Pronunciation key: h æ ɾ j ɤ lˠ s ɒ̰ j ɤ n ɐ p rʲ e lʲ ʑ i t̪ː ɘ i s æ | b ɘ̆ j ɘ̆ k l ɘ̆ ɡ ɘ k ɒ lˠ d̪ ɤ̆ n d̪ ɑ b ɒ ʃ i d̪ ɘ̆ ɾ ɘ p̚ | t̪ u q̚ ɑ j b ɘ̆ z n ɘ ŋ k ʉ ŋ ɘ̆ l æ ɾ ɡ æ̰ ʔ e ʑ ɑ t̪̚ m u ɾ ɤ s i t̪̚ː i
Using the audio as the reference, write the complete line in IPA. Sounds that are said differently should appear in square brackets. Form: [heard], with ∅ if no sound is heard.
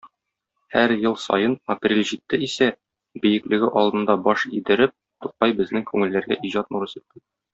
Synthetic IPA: h æ ɾ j ɤ lˠ s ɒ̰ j ɤ n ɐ p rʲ e lʲ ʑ i t̪ː ɘ i s æ | b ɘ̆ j ɘ̆ k l ɘ̆ ɡ ɘ [ʔ] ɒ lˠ d̪ ɤ̆ n d̪ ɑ b ɒ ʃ i d̪ ɘ̆ ɾ ɘ p̚ | t̪ u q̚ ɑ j b ɘ̆ z n ɘ ŋ k ʉ ŋ ɘ̆ [lː] æ ɾ ɡ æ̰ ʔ [i] ʑ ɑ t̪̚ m u ɾ ɤ s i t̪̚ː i